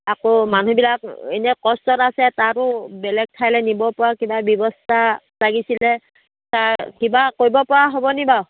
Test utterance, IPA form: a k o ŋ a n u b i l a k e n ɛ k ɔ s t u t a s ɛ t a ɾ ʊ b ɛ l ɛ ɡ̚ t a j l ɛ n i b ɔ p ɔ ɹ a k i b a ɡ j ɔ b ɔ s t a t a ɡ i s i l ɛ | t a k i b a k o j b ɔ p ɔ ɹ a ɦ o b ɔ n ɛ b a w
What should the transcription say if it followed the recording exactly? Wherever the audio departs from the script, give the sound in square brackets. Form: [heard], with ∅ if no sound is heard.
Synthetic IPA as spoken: a k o [m] a n u b i l a k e n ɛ k ɔ s t [ɔ] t a s ɛ t a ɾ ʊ b ɛ l ɛ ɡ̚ [tʰ] a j l ɛ n i b ɔ p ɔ ɹ a k i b a [b] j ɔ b ɔ s t a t a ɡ i s i l ɛ | t a k i b a k o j b ɔ p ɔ ɹ a ɦ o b ɔ n [i] b a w

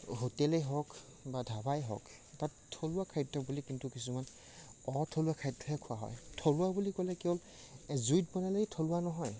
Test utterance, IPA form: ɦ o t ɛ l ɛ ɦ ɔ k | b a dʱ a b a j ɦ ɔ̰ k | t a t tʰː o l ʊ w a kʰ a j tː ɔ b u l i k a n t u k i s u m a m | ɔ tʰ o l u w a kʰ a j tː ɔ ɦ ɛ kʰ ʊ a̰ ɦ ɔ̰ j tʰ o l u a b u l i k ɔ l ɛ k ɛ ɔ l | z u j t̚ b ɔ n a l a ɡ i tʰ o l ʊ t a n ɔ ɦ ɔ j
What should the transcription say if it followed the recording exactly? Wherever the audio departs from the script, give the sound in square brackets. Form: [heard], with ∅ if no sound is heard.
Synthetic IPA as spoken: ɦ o t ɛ l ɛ ɦ ɔ k | b a dʱ a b a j ɦ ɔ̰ k | t a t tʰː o l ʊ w a kʰ a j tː ɔ b u l i k [i] n t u k i s u m a [n] | ɔ tʰ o l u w a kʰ a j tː ɔ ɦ ɛ kʰ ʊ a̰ ɦ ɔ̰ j tʰ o l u a b u l i k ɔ l ɛ k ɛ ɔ l | z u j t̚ b ɔ n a l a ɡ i tʰ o l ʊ [∅] a n ɔ ɦ ɔ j

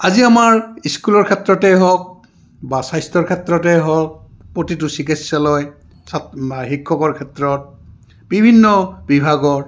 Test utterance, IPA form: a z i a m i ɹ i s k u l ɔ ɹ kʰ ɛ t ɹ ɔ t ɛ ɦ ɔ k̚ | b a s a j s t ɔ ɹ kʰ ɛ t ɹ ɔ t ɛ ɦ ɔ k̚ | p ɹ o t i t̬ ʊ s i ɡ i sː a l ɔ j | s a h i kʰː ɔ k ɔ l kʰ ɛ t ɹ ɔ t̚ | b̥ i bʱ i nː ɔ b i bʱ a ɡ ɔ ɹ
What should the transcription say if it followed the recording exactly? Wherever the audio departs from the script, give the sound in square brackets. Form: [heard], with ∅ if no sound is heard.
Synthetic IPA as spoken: a z i a m [a] ɹ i s k u l ɔ ɹ kʰ ɛ t ɹ ɔ t ɛ ɦ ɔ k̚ | b a s a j s t ɔ ɹ kʰ ɛ t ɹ ɔ t ɛ ɦ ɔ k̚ | p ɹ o t i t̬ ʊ s i [k] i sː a l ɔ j | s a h i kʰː ɔ k ɔ [ɹ] kʰ ɛ t ɹ ɔ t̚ | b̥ i bʱ i nː ɔ b i bʱ a ɡ ɔ ɹ

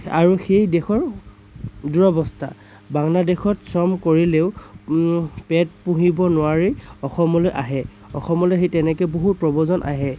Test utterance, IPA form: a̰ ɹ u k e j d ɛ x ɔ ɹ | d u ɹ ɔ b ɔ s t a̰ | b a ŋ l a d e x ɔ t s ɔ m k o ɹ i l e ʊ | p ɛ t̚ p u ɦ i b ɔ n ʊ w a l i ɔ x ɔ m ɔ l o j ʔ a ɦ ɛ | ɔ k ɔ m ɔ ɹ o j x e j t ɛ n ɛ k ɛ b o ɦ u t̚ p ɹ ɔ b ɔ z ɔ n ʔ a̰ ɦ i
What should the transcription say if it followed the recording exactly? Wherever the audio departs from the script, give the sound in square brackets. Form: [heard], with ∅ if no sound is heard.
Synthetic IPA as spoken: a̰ ɹ u [x] e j d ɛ x ɔ ɹ | d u ɹ ɔ b ɔ s t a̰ | b a ŋ l a d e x ɔ t s ɔ m k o ɹ i l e ʊ | p ɛ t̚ p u ɦ i b ɔ n ʊ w a [ɹ] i ɔ x ɔ m ɔ l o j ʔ a ɦ ɛ | ɔ [x] ɔ m ɔ [l] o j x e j t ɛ n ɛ k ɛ b o ɦ u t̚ p ɹ ɔ b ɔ z ɔ n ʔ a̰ ɦ [ɛ]

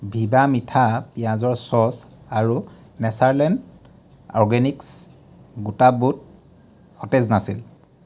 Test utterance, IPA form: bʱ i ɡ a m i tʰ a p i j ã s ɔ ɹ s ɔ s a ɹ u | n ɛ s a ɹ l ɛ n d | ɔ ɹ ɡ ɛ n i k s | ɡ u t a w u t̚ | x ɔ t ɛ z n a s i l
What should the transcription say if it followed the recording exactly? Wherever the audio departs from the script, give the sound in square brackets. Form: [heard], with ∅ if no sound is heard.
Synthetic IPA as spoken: bʱ i [b] a m i tʰ a p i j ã [z] ɔ ɹ s ɔ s a ɹ u | n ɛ s a ɹ l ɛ n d | ɔ ɹ ɡ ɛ n i k s | ɡ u t a [b] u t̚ | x ɔ t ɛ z n a s i l

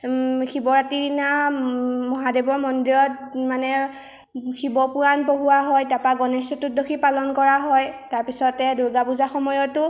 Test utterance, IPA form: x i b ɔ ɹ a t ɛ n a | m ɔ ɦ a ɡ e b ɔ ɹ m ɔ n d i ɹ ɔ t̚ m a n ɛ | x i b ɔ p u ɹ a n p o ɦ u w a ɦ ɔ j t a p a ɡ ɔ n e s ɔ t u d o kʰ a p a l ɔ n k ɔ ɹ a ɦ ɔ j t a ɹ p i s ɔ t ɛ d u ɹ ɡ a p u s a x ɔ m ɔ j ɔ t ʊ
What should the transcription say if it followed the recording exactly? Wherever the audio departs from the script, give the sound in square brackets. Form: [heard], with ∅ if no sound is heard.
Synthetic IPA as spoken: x i b ɔ ɹ a t [i] n a | m ɔ ɦ a [d] e b ɔ ɹ m ɔ n d i ɹ ɔ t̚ m a n ɛ | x i b ɔ p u ɹ a n p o ɦ u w a ɦ ɔ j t a p a ɡ ɔ n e s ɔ t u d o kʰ [i] p a l ɔ n k ɔ ɹ a ɦ ɔ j t a ɹ p i s ɔ t ɛ d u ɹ ɡ a p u [z] a x ɔ m ɔ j ɔ t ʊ

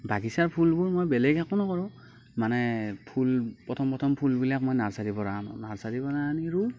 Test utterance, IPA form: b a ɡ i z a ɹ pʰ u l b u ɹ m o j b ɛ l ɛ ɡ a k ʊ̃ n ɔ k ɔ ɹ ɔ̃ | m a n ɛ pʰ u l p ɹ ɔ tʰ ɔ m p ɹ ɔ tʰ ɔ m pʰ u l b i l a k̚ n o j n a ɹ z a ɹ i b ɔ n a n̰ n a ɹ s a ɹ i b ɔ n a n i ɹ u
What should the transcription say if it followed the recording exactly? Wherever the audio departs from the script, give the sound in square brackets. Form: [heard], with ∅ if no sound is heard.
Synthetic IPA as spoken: b a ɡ i [s] a ɹ pʰ u l b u ɹ m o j b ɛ l ɛ ɡ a k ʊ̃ n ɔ k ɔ ɹ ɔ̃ | m a n ɛ pʰ u l p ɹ ɔ tʰ ɔ m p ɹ ɔ tʰ ɔ m pʰ u l b i l a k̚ [m] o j n a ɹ [s] a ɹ i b ɔ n a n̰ n a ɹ s a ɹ i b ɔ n a n i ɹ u

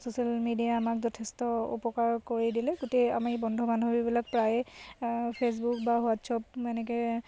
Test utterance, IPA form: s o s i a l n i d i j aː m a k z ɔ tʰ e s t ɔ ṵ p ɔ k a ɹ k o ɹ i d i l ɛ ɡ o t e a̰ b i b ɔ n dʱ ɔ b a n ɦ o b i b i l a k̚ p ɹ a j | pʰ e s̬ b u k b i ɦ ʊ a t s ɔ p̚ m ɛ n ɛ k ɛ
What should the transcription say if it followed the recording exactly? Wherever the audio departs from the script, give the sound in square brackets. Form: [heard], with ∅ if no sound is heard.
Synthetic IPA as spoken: s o s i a l [m] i d i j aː m a k z ɔ tʰ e s t ɔ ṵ p ɔ k a ɹ k o ɹ i d i l ɛ ɡ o t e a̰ [m] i b ɔ n dʱ ɔ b a n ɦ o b i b i l a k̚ p ɹ a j | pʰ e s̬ b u k b [a] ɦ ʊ a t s ɔ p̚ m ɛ n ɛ k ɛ

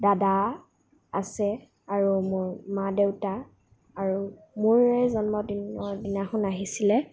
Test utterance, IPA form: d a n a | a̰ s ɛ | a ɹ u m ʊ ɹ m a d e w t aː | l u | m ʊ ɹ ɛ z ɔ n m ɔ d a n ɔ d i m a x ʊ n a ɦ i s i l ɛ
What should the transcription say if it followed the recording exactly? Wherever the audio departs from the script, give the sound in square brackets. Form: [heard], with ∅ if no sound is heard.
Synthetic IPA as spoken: d a [d] a | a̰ s ɛ | a ɹ u m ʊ ɹ m a d e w t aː | [ɹ] u | m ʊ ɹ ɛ z ɔ n m ɔ d [i] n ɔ d i [n] a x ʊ n a ɦ i s i l ɛ

